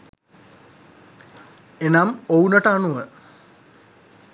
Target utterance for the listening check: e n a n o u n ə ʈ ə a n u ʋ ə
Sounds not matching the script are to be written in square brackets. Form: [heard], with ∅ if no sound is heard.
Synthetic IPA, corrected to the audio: e n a [m] o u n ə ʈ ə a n u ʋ ə